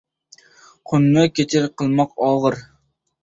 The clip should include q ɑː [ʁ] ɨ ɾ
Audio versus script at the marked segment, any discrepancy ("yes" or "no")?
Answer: no